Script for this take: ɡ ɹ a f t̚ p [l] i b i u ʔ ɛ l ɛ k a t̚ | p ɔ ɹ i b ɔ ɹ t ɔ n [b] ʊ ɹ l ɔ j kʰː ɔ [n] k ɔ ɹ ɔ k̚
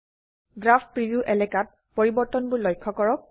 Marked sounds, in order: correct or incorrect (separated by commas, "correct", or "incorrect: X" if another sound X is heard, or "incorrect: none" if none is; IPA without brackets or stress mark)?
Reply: incorrect: ɹ, correct, incorrect: none